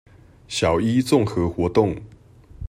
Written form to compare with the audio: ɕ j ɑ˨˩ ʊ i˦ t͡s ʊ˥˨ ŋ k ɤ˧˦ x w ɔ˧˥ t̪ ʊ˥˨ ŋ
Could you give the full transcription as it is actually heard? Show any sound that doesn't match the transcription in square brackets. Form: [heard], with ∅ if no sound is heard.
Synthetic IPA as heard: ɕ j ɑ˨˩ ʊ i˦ t͡s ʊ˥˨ ŋ [x] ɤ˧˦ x w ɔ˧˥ t̪ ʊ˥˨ ŋ